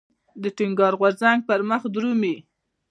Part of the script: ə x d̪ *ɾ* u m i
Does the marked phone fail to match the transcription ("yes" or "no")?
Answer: no